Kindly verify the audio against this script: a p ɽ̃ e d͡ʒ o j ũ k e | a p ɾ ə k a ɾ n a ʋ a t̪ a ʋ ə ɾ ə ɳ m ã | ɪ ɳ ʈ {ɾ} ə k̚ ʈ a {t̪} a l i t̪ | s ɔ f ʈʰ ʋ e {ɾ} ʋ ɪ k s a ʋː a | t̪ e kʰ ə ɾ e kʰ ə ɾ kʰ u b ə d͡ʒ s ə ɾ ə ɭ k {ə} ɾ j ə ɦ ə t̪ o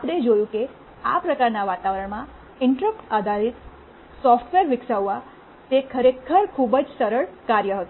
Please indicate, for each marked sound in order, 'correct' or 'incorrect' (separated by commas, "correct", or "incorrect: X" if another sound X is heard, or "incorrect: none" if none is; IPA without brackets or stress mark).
correct, incorrect: d̪, correct, incorrect: a